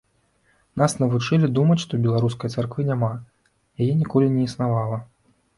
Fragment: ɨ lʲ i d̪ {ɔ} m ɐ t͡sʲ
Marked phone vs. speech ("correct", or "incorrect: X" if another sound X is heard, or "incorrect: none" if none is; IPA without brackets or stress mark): incorrect: u